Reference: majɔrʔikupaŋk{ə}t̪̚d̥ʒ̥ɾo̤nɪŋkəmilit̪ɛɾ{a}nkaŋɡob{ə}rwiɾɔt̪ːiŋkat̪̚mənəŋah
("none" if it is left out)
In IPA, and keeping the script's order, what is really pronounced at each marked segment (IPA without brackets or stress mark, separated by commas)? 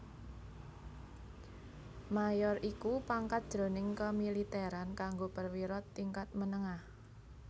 a, a, ə